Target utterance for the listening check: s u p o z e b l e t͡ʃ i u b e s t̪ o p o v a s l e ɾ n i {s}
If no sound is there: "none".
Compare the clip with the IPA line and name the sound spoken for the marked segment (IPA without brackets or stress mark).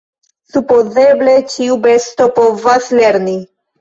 none